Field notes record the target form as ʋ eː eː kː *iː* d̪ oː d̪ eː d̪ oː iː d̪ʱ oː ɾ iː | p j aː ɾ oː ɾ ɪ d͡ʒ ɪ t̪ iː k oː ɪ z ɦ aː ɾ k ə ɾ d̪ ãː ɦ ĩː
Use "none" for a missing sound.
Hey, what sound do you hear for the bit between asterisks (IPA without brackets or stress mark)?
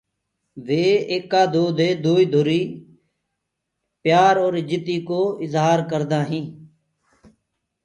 aː